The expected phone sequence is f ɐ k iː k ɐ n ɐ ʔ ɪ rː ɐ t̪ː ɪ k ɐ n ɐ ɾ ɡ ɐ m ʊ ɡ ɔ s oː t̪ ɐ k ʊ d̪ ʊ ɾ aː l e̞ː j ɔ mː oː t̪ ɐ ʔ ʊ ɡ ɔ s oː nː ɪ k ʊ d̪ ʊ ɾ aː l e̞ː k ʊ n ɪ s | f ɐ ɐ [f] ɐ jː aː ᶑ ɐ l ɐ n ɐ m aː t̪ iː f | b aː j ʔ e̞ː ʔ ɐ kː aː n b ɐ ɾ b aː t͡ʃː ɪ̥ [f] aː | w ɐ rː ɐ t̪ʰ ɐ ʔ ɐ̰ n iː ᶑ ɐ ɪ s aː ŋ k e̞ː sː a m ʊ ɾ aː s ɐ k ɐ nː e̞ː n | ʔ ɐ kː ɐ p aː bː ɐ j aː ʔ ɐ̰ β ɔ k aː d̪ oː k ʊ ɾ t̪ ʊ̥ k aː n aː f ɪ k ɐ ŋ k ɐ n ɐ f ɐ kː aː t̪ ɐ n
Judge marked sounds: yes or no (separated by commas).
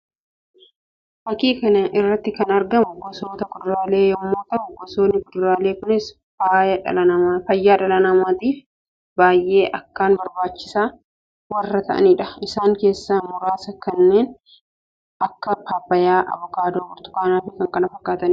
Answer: yes, no